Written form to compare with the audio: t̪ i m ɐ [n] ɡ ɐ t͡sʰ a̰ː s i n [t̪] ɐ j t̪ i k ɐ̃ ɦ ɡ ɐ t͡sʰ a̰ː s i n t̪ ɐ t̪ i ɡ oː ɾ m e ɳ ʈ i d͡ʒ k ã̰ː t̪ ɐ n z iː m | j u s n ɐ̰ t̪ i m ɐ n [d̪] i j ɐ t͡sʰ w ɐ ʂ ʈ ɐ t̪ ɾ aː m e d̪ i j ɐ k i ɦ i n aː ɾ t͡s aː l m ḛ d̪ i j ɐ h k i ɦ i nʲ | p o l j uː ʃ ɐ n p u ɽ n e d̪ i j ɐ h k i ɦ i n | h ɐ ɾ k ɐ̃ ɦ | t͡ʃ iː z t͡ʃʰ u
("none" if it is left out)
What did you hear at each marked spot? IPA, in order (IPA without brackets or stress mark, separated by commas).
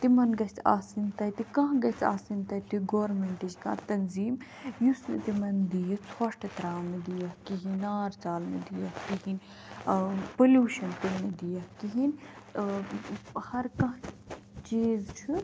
n, t̪, d̪